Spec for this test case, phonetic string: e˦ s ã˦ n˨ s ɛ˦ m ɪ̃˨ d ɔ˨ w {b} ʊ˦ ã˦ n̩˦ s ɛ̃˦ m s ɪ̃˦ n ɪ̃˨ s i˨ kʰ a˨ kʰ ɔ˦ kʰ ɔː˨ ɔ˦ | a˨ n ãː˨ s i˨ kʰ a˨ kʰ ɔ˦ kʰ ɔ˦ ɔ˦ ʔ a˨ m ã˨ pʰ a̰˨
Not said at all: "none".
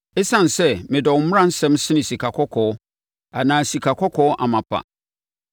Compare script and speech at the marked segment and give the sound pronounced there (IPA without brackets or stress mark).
m